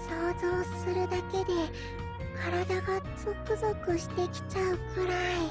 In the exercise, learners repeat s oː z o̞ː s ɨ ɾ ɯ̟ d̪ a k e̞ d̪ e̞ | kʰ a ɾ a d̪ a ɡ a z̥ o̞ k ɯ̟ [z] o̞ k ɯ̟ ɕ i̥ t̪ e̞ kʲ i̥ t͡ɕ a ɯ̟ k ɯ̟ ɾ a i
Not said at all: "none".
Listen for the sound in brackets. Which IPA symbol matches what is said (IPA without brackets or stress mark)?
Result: z